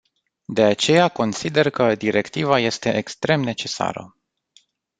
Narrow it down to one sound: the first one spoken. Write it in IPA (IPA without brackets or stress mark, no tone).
d̪